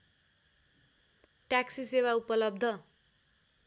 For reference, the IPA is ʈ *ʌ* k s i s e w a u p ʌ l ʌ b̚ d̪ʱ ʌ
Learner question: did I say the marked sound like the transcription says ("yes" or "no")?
no